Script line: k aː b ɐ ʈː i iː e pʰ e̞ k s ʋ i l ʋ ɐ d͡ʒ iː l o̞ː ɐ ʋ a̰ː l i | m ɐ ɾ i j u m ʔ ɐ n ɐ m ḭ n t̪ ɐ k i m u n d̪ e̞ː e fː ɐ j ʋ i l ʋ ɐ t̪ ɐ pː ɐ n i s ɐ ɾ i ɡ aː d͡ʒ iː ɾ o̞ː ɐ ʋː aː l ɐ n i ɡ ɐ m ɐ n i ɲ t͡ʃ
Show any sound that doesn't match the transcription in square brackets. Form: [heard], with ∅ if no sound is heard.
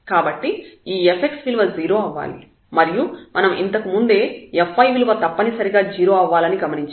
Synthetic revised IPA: k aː b ɐ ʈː i iː e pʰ e̞ k s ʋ i l ʋ ɐ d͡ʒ iː [ɾ] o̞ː ɐ [ʋː] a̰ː l i | m ɐ ɾ i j u m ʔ ɐ n ɐ m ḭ n t̪ ɐ k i m u n d̪ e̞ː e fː ɐ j ʋ i l ʋ ɐ t̪ ɐ pː ɐ n i s ɐ ɾ i ɡ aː d͡ʒ iː ɾ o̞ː ɐ ʋː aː l ɐ n i ɡ ɐ m ɐ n i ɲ t͡ʃ